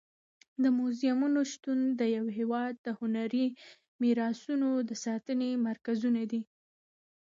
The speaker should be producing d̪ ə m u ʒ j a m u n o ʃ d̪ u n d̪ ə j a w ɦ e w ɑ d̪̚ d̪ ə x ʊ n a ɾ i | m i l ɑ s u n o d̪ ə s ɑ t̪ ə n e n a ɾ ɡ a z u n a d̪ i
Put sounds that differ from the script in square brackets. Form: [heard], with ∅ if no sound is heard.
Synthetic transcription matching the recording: d̪ ə m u [z] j a m u n o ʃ [t̪] u n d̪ ə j a w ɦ e w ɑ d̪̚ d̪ ə [h] ʊ n a ɾ i | m i [ɾ] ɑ s u n o d̪ ə s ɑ t̪ ə n e [m] a ɾ [k] a z u n a d̪ i